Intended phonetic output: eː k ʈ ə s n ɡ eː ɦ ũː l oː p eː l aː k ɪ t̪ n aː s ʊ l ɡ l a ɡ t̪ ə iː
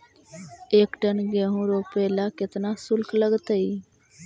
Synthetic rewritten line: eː k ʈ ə n ɡ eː ɦ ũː ɾ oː p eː l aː k ɪ t̪ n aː s ʊ l k l ə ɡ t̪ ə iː